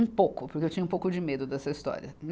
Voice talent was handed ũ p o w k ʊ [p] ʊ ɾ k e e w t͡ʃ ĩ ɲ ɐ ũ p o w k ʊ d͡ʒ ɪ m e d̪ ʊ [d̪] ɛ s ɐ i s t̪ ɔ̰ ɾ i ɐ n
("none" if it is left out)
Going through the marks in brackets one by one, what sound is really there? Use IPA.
p, d̪

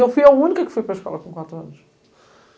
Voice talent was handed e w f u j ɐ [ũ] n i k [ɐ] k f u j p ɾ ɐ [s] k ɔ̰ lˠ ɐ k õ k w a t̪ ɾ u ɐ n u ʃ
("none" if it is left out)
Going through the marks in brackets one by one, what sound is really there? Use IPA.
u, ɐ, ʃ

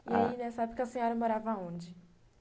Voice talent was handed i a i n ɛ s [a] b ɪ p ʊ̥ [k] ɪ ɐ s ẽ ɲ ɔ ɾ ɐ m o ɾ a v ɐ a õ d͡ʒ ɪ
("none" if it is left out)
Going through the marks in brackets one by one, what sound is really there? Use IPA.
a, k

